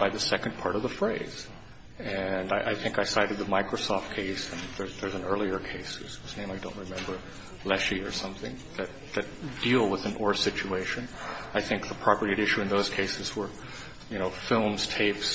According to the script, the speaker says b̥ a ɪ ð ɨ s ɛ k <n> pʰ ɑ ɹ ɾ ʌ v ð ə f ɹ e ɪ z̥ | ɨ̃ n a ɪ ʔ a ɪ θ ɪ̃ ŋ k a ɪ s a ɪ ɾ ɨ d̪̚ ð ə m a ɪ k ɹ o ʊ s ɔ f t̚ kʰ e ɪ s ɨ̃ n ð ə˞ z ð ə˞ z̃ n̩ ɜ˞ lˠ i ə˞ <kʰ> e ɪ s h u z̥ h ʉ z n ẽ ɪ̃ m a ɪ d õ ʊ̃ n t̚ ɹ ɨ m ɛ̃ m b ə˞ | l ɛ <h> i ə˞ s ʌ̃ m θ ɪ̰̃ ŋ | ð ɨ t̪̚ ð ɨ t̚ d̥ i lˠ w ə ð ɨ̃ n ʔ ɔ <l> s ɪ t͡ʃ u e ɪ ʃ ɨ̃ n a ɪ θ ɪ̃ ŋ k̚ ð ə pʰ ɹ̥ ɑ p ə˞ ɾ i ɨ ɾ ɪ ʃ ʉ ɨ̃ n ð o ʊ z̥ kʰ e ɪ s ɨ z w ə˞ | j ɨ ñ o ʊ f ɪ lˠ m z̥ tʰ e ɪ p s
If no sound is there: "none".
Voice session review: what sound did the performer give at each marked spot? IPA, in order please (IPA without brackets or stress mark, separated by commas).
n, kʰ, ʃ, ɹ